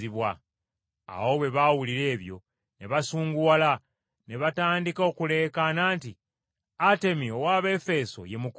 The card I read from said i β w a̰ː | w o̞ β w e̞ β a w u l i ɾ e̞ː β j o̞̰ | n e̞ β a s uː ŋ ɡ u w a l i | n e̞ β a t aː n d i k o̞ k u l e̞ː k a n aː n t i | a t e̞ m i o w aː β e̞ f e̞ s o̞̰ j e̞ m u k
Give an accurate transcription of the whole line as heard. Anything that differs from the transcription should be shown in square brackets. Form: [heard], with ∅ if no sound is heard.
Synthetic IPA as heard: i β w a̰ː | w o̞ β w e̞ β a w u l i ɾ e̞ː β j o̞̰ | n e̞ β a s uː ŋ ɡ u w a l [a] | n e̞ β a t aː n d i k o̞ k u l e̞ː k a n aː n t i | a t e̞ m i o w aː β e̞ f e̞ s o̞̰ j e̞ m u k